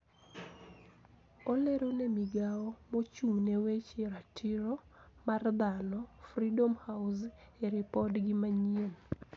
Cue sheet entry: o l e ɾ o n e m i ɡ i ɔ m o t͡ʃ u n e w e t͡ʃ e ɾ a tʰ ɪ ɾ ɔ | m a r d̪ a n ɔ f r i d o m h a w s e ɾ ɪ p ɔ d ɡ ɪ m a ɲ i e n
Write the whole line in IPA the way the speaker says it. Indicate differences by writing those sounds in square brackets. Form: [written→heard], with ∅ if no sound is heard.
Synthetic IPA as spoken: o l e ɾ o n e m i ɡ [i→a] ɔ m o t͡ʃ u n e w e t͡ʃ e ɾ a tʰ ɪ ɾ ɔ | m a r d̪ a n ɔ f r i d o m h a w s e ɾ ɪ p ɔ d ɡ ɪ m a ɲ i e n